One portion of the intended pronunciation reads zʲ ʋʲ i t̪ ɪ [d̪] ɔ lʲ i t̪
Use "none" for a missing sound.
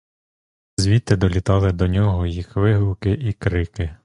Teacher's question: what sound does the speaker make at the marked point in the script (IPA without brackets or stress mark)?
d̪